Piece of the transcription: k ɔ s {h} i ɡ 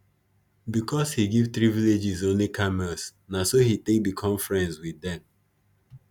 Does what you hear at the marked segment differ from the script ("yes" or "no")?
no